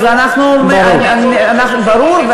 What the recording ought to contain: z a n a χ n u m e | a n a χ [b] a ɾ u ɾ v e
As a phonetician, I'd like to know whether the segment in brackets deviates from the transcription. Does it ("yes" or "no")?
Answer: no